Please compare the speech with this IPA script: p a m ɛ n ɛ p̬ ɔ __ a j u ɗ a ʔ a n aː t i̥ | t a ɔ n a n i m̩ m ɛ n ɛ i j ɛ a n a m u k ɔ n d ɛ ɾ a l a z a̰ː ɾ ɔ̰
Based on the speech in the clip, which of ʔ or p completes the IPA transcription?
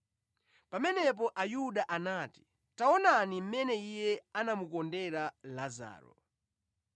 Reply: ʔ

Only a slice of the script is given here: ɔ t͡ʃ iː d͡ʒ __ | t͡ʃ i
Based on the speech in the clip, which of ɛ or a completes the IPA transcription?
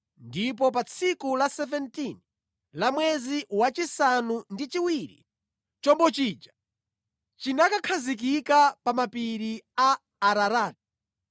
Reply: a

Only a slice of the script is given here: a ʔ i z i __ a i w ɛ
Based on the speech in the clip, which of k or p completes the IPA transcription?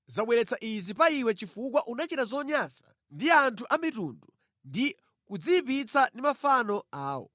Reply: p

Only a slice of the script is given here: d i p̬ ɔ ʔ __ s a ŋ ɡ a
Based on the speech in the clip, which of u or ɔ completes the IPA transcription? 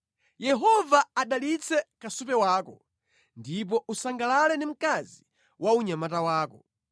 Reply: u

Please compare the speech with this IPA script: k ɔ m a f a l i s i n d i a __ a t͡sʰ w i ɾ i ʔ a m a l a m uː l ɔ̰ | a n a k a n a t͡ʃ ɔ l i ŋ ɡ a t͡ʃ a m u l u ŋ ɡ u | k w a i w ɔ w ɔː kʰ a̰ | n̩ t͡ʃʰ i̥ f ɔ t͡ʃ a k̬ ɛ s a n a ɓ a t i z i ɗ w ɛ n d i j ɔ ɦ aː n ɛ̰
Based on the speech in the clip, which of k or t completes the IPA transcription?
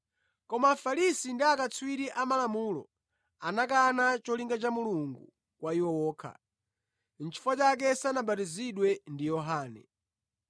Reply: k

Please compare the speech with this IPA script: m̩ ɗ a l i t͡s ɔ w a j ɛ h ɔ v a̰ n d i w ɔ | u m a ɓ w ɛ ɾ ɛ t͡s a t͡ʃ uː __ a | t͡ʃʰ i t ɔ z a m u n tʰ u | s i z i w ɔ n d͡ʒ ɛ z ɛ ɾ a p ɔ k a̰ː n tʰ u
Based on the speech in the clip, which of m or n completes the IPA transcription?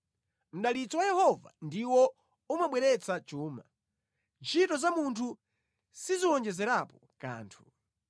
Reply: m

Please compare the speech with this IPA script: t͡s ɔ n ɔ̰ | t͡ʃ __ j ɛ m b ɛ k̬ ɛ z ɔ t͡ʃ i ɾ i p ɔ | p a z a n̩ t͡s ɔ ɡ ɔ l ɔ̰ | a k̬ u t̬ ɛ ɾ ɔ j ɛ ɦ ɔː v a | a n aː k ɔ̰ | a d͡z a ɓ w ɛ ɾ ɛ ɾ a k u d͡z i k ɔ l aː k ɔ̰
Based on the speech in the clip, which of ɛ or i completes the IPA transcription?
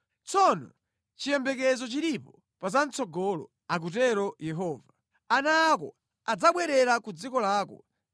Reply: i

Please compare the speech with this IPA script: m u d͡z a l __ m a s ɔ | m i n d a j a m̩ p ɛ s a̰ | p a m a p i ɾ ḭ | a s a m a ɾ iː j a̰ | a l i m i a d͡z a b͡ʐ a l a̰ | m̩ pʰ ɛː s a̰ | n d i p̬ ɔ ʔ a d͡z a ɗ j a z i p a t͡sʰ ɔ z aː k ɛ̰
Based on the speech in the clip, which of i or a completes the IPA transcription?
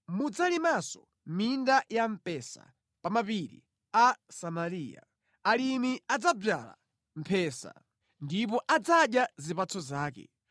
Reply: i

